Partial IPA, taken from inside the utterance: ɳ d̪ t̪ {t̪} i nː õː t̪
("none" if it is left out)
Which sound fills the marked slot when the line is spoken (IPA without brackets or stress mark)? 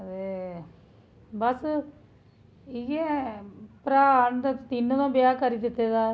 t̪